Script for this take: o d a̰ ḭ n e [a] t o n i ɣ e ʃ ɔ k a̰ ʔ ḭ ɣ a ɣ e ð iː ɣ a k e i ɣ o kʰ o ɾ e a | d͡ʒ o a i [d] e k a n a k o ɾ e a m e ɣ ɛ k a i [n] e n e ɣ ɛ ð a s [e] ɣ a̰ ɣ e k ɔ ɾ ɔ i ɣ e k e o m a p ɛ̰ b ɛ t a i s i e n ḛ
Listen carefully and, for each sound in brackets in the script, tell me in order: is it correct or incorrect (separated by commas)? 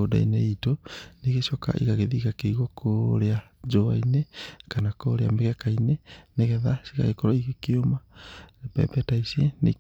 incorrect, incorrect, correct, incorrect